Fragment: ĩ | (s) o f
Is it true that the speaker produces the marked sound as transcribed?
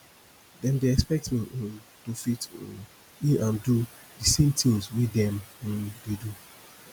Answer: no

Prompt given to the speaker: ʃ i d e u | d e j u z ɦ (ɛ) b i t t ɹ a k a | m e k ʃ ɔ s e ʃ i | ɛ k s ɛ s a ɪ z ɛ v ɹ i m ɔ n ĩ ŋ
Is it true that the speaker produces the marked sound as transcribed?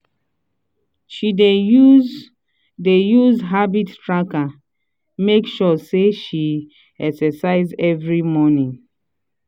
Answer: no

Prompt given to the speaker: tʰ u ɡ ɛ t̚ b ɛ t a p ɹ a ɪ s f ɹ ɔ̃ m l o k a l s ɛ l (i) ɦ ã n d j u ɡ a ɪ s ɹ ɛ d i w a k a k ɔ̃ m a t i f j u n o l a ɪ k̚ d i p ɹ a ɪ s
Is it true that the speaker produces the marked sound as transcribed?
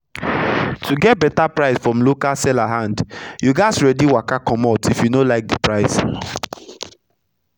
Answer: no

